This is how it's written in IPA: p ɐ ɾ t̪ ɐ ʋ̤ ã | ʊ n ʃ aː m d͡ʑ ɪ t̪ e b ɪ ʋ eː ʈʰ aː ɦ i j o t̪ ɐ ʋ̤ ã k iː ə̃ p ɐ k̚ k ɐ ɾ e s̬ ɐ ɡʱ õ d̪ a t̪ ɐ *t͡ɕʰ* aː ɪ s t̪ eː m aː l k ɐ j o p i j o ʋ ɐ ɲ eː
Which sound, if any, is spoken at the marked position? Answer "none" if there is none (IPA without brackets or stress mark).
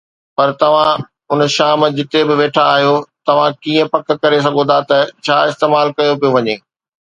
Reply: t͡ɕʰ